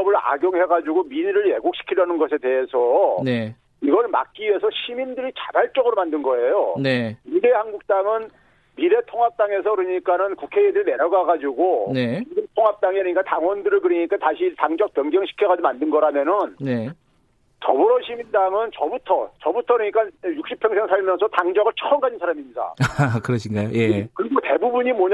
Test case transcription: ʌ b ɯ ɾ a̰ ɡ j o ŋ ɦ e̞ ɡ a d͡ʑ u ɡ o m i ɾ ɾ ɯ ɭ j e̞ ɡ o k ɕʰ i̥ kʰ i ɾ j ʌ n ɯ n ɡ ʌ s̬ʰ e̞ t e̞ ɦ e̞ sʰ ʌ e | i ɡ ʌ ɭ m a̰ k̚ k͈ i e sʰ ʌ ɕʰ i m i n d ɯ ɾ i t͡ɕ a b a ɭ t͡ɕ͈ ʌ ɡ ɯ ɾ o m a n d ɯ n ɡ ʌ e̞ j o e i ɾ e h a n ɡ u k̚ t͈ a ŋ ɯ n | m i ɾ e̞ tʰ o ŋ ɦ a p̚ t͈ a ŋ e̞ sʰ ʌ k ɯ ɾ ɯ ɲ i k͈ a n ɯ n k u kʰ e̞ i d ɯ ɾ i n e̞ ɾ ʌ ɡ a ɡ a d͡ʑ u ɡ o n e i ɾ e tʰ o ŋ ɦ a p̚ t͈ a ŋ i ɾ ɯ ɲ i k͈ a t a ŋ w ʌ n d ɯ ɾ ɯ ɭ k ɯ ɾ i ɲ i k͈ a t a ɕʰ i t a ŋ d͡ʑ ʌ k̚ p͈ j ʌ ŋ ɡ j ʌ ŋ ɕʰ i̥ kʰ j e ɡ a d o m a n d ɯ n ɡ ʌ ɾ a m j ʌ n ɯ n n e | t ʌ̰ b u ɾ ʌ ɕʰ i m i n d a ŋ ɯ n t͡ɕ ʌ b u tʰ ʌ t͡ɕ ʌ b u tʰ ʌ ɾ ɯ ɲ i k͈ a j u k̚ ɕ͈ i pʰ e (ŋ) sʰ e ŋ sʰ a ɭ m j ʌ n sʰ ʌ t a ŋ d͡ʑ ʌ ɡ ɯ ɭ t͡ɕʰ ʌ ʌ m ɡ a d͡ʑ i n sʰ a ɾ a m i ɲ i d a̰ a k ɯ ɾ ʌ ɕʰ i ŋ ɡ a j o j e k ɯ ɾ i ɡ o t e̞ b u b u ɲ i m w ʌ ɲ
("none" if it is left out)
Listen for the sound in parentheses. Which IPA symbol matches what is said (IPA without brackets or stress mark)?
ŋ